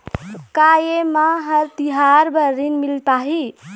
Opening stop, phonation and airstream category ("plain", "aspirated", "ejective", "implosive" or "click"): plain